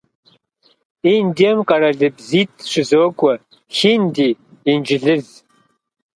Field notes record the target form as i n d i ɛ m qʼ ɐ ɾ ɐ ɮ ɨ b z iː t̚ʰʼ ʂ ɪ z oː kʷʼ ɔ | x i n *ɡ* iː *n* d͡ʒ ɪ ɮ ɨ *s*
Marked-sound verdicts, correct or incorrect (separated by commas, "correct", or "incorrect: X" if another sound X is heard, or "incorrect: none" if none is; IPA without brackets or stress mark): incorrect: d, correct, incorrect: z